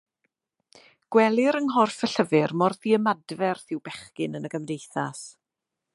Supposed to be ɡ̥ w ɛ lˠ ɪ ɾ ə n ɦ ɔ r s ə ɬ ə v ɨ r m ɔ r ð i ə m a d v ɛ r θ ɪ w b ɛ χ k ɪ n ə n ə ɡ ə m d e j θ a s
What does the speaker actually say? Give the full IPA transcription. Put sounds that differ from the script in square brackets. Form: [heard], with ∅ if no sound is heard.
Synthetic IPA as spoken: ɡ̥ w ɛ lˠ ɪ ɾ ə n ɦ ɔ r [f] ə ɬ ə v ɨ r m ɔ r ð i ə m a d v ɛ r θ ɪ w b ɛ χ k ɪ n ə n ə ɡ ə m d e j θ a s